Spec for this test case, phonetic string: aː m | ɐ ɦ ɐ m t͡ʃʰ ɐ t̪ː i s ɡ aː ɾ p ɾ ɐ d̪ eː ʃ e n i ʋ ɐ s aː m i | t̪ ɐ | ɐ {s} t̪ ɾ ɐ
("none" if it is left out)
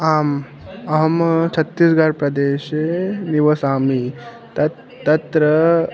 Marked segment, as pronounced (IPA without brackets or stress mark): none